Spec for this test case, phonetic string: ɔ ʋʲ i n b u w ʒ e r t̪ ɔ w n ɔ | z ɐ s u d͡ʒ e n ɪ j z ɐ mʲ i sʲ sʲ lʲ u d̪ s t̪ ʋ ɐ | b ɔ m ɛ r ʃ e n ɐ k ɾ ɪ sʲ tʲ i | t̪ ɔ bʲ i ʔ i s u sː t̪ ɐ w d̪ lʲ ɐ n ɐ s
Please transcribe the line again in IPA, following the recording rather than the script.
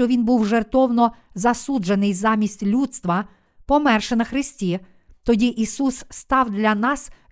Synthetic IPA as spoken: ɔ ʋʲ i n b u w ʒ e r t̪ ɔ w n ɔ | z ɐ s u d͡ʒ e n ɪ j z ɑ mʲ i sʲ tʲ lʲ u t̪ s t̪ ʋ ɐ | p ɔ m ɛ r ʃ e n ɐ x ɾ ɪ sʲ tʲ i | t̪ ɔ dʲ i ʔ i s u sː t̪ ɑ w d̪ lʲ ɐ n ɑ s